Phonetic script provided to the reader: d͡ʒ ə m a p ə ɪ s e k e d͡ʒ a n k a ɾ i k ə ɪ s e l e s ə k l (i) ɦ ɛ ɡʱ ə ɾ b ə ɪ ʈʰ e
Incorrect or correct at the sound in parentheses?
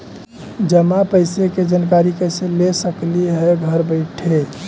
correct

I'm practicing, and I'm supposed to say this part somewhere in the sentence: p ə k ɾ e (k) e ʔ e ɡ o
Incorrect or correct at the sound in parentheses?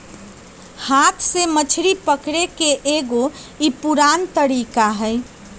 correct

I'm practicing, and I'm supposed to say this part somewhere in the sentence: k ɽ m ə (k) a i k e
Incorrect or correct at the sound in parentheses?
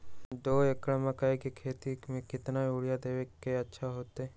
correct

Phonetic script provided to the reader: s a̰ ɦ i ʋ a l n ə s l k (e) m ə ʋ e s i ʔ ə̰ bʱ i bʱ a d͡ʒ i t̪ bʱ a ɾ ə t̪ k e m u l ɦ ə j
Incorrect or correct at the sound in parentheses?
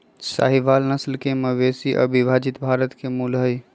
correct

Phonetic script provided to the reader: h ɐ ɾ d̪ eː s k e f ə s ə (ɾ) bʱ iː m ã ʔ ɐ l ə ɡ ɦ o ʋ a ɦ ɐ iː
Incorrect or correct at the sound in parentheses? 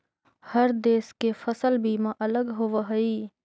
incorrect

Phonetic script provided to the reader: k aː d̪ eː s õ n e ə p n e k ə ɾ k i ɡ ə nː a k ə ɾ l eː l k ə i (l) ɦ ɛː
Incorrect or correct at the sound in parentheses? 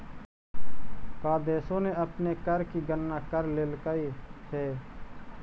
incorrect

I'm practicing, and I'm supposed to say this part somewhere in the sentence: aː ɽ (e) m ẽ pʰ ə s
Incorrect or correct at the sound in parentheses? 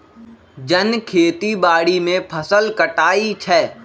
incorrect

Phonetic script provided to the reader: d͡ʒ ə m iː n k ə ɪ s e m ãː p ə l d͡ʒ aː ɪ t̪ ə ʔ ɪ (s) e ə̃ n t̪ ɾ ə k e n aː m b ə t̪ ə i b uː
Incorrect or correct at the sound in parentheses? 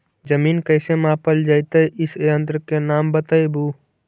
correct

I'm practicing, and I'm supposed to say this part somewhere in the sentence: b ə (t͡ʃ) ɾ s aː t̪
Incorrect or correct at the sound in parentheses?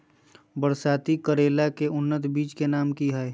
incorrect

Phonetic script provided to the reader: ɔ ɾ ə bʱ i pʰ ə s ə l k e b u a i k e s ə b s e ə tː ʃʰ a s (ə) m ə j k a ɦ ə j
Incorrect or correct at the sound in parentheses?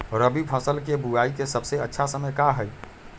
correct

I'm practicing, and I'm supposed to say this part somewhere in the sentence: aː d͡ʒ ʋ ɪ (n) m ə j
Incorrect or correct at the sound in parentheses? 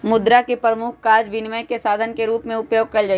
correct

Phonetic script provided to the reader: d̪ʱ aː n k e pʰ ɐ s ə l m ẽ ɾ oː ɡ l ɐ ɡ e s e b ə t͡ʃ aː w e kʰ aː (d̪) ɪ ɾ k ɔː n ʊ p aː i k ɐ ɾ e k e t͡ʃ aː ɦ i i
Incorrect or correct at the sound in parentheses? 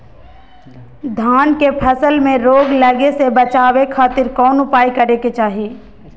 incorrect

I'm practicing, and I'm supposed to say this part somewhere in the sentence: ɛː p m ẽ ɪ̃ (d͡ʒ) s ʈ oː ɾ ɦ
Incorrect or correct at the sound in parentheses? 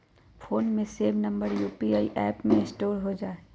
incorrect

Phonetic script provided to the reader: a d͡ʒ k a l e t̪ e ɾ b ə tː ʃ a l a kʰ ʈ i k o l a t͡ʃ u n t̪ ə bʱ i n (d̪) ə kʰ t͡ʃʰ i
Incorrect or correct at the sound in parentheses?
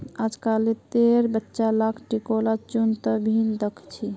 correct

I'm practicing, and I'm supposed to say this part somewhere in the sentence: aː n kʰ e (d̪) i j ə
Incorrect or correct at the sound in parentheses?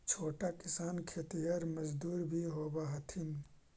incorrect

